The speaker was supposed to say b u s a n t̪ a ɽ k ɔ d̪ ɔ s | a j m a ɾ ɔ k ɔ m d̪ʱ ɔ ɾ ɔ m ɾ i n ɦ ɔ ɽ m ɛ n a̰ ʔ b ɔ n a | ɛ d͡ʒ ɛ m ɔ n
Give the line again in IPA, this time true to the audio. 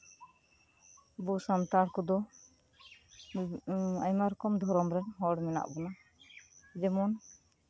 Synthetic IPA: b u s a n t̪ a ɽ k ɔ d̪ ɔ | a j m a ɾ ɔ k ɔ m d̪ʱ ɔ ɾ ɔ m ɾ ɛ n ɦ ɔ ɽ m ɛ n a̰ ʔ b ɔ n a | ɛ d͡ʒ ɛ m ɔ n